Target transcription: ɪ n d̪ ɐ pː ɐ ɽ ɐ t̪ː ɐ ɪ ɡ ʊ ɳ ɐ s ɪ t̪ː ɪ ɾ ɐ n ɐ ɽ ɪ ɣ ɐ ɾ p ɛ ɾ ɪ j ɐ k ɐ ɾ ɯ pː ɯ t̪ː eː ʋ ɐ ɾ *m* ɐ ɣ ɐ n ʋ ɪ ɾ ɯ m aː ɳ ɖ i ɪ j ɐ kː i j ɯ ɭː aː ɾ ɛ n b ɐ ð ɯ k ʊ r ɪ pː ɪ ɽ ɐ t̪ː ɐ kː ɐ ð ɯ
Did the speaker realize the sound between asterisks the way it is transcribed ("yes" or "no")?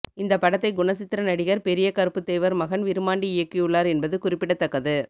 yes